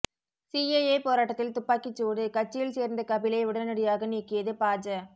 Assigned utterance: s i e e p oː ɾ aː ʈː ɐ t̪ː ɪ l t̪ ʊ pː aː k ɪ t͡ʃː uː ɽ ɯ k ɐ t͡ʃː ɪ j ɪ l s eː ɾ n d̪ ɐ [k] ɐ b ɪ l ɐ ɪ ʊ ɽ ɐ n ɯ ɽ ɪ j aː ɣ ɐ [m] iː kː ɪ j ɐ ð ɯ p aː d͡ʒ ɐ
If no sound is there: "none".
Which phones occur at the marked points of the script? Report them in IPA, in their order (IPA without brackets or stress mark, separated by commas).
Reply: k, n